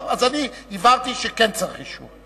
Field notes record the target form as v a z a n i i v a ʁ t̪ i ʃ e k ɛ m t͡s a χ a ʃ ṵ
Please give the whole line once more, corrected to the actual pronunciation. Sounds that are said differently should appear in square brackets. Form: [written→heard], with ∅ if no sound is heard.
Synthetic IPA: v a z a n i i v a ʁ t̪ i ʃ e k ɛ [m→n] t͡s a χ [a→i] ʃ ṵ